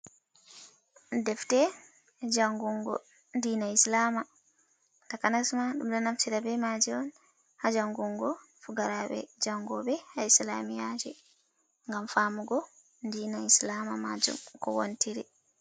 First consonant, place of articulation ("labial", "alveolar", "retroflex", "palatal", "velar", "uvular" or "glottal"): alveolar